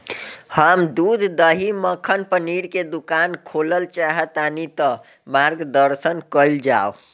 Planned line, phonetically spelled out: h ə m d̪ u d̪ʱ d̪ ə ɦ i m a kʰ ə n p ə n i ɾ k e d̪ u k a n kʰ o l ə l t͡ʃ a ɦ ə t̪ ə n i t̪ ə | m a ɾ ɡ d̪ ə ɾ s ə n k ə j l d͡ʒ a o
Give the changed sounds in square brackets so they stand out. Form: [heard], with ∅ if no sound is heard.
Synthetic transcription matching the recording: h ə m d̪ u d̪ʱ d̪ ə ɦ i m [ə] kʰ ə n p ə n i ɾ k e d̪ u k a n kʰ o l ə l t͡ʃ a ɦ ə t̪ [a] n i t̪ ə | m a ɾ ɡ d̪ ə ɾ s ə n k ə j l d͡ʒ a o